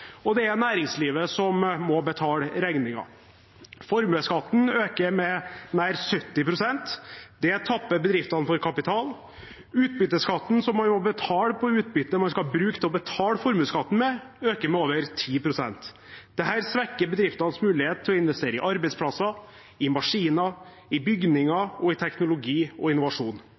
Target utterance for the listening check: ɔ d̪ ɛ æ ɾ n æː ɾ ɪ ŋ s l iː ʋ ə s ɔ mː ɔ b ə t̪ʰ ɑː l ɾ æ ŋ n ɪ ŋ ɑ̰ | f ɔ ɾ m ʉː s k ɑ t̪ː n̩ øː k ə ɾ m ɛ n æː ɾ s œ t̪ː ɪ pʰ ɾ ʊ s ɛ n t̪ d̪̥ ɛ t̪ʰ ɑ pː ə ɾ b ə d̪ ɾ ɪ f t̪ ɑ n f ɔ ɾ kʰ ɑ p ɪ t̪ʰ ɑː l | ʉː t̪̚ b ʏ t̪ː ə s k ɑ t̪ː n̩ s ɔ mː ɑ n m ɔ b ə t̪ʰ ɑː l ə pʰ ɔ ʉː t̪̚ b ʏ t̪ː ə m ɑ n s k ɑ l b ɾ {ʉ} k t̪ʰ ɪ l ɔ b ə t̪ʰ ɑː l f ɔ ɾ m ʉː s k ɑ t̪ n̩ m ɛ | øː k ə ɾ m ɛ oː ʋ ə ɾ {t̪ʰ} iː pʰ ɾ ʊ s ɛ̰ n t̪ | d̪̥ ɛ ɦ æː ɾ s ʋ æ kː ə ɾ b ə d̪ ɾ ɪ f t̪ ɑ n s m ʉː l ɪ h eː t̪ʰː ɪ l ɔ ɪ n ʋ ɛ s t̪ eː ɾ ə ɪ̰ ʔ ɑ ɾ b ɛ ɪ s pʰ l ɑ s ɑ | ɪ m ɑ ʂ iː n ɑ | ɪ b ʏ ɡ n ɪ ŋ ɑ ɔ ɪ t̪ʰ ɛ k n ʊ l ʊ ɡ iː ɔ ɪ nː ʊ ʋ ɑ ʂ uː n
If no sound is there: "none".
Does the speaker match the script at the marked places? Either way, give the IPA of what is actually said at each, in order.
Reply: ʉː, t̪ʰ

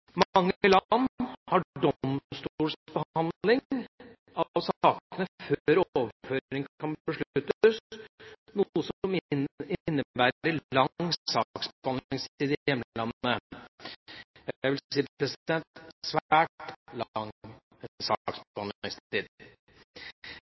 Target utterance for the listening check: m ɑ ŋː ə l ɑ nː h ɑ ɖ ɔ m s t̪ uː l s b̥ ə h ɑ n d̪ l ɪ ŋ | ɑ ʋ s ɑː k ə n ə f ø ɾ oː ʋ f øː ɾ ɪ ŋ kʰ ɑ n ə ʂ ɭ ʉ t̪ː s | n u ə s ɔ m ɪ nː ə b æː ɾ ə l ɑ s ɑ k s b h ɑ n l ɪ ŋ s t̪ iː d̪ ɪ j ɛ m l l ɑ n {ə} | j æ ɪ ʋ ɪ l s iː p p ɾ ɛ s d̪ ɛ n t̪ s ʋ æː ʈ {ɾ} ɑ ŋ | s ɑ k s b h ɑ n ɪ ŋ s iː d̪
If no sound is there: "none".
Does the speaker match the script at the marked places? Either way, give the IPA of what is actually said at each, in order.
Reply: ə, l

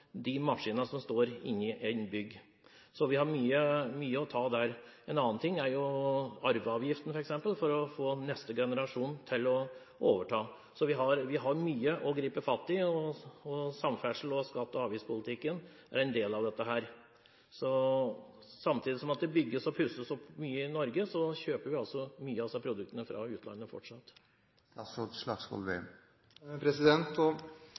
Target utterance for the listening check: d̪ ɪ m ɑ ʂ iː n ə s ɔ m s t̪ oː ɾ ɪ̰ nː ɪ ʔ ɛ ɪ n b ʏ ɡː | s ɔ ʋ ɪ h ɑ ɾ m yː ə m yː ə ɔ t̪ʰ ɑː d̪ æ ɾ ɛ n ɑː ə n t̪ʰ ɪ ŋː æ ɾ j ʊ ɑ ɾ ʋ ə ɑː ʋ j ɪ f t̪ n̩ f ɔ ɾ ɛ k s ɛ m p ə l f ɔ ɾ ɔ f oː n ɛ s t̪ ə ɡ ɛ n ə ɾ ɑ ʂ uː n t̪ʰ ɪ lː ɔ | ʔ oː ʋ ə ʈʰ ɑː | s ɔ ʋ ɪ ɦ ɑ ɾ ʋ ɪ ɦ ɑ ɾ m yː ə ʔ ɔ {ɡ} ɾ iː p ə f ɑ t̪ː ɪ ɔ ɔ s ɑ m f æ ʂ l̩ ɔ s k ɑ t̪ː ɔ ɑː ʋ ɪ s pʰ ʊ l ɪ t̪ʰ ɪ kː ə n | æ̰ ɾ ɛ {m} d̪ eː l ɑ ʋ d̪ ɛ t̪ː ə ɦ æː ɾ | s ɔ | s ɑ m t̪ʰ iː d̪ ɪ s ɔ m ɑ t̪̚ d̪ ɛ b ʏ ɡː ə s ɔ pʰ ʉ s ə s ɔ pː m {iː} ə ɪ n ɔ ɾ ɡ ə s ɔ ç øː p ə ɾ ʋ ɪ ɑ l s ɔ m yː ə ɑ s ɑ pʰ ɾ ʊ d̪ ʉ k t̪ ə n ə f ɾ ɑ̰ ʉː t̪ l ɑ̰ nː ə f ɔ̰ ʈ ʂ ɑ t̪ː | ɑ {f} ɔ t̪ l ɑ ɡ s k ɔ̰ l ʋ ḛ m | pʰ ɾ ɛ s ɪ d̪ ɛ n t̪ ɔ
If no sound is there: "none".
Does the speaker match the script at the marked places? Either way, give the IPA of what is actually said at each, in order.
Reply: ɡ, n, yː, s

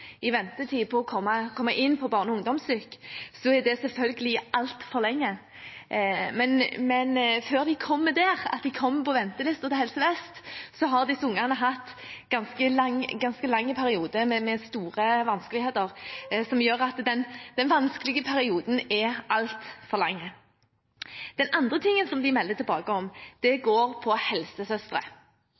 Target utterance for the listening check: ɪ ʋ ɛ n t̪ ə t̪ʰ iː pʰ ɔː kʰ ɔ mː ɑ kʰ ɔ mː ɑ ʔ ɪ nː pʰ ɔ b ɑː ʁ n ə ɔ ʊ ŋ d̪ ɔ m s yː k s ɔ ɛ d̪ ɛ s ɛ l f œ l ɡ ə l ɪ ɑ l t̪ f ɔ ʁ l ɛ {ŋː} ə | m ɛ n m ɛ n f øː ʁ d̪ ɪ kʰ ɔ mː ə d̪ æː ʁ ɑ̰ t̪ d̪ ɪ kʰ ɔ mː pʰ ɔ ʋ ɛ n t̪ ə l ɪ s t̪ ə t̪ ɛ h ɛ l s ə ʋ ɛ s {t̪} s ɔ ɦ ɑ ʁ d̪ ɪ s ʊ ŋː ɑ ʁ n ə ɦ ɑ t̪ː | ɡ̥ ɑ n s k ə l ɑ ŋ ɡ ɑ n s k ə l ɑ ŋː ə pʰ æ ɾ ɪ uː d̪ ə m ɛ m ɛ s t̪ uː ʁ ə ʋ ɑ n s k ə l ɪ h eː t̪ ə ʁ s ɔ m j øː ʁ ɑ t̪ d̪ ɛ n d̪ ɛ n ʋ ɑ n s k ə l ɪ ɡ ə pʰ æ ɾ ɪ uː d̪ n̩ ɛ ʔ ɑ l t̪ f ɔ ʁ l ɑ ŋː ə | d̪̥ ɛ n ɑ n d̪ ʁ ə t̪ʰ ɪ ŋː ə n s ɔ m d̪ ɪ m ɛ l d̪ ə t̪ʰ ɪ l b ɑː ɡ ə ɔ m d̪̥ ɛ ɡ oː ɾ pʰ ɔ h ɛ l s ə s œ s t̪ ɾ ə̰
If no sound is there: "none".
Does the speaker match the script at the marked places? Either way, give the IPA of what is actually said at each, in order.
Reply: ŋː, t̪

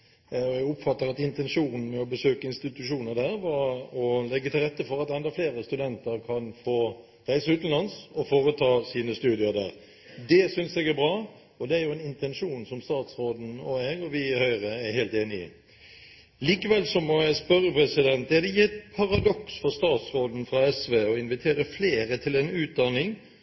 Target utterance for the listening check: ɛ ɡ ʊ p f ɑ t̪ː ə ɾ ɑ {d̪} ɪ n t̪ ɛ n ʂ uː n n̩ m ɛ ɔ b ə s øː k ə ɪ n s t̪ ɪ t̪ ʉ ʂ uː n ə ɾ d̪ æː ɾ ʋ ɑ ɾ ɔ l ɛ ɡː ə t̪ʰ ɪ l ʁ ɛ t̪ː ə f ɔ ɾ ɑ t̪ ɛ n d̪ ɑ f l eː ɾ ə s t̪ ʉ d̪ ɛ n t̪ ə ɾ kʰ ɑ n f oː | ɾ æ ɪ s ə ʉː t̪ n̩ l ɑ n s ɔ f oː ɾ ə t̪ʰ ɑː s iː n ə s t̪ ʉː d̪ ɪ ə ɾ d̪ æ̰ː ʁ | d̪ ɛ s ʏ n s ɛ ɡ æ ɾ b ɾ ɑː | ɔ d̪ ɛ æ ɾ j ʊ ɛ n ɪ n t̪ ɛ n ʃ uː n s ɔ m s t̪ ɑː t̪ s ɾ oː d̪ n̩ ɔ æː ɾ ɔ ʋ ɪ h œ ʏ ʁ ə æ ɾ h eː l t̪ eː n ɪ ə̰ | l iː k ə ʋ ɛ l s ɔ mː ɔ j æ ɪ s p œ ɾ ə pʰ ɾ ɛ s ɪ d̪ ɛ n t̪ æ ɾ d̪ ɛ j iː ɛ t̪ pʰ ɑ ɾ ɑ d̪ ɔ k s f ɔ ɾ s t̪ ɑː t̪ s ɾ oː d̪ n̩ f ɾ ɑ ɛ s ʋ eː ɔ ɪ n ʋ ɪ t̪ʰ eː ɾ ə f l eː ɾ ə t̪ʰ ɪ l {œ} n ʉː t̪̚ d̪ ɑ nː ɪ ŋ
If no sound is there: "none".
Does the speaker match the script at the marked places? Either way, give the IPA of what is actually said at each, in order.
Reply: t̪, ɛ

